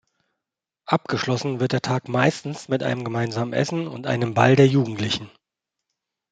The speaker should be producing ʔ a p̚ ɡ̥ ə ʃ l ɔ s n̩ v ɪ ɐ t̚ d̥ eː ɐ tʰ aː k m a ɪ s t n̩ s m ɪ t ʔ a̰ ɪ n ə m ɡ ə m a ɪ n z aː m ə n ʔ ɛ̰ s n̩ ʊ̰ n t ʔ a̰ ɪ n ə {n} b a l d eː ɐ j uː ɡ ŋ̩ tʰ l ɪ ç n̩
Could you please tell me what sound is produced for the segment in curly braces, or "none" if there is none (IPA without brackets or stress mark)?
m